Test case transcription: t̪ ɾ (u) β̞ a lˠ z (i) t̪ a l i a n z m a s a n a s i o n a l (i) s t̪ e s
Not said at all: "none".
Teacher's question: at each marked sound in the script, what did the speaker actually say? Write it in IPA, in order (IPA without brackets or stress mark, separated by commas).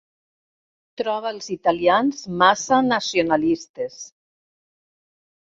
ɔ, i, i